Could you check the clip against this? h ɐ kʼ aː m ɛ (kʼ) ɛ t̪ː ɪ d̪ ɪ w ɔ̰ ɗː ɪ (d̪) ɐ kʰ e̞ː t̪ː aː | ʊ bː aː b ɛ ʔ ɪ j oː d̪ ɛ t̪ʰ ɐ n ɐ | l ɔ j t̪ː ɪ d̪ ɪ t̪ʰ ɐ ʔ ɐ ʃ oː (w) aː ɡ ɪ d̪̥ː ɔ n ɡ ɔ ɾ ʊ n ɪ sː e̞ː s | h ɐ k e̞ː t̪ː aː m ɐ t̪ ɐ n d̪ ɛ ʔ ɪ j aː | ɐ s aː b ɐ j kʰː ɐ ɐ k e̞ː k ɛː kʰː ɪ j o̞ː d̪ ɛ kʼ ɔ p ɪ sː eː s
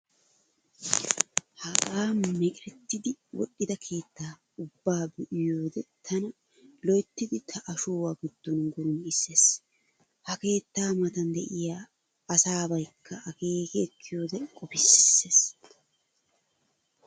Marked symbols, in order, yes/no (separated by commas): yes, yes, yes